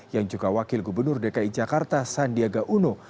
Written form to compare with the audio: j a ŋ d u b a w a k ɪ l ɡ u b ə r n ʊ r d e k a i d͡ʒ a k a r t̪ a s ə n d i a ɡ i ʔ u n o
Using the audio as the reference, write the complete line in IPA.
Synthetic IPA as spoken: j a ŋ d͡ʒ u ɡ a w a k ɪ l ɡ u b ə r n ʊ r d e k a i d͡ʒ a k a r t̪ a s a n d i a ɡ a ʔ u n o